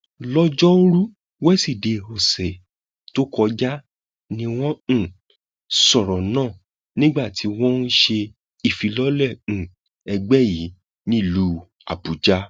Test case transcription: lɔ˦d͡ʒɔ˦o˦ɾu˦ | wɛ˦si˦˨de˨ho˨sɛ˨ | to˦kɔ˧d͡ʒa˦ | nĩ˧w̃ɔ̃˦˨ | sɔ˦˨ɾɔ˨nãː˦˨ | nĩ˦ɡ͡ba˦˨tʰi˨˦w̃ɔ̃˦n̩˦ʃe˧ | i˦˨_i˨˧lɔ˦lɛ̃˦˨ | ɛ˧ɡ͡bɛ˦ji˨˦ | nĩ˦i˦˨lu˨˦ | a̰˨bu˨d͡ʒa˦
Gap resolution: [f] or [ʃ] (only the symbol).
f